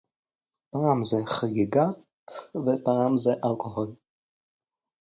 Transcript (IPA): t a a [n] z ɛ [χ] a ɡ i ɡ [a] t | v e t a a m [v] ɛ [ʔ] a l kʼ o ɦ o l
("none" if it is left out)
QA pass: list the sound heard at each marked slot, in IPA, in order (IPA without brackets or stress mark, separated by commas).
m, χ, a, z, ʔ